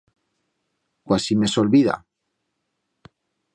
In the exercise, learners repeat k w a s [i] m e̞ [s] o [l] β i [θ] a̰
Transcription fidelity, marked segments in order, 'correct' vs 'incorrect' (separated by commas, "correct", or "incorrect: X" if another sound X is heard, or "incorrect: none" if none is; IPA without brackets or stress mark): correct, correct, correct, incorrect: ð